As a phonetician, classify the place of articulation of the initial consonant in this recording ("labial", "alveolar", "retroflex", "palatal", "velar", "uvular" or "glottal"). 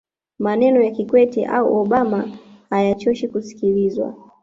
labial